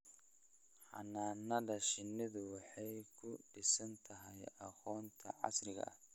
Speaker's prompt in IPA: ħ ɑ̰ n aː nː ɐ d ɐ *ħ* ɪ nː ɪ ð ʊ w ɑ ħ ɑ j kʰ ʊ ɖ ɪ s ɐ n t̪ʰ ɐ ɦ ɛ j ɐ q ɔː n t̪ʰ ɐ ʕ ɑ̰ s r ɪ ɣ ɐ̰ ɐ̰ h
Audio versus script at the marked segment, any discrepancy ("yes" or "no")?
yes